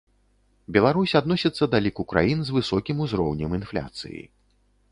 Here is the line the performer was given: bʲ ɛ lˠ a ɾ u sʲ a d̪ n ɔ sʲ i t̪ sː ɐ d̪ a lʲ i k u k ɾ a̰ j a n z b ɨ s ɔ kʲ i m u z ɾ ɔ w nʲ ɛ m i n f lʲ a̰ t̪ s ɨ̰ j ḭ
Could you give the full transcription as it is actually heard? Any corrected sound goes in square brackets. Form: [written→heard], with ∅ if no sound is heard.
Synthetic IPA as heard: bʲ ɛ lˠ a ɾ u sʲ a d̪ n ɔ sʲ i t̪ sː ɐ d̪ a lʲ i k u k ɾ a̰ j [a→i] n z [b→v] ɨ s ɔ kʲ i m u z ɾ ɔ w nʲ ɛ m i n f lʲ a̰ t̪ s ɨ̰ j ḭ